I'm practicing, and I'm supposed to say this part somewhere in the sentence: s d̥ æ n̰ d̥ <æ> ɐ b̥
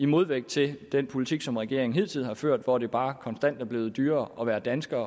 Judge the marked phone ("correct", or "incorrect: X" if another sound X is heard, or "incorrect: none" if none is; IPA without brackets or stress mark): correct